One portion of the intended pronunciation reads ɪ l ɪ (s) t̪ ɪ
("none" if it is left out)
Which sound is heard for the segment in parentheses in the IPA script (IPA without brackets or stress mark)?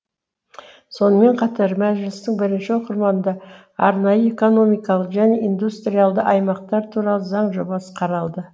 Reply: s